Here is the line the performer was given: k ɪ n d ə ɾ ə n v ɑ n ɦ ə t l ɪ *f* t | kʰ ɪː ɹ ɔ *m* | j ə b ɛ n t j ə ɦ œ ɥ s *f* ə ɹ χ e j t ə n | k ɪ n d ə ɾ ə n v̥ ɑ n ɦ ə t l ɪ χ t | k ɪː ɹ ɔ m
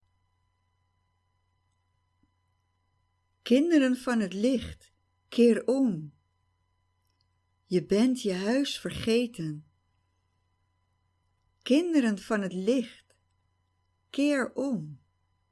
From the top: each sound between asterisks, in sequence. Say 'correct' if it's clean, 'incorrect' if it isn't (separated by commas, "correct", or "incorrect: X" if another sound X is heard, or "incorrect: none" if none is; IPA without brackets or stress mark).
incorrect: χ, correct, correct